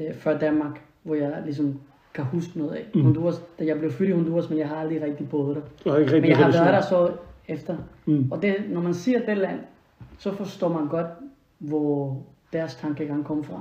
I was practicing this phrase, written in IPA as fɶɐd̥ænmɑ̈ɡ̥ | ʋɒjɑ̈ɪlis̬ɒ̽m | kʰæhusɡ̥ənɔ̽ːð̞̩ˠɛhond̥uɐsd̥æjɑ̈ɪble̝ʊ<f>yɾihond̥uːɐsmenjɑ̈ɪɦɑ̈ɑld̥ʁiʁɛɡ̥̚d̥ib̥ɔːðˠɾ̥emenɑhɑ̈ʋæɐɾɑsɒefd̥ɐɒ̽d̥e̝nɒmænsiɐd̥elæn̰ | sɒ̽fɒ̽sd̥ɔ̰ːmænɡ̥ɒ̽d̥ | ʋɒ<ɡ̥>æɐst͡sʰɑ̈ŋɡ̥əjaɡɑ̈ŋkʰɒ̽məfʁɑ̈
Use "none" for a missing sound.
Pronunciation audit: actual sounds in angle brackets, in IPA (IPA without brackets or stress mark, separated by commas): f, d̥